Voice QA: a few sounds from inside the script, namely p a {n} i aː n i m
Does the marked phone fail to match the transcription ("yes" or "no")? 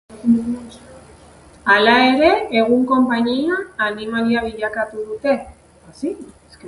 yes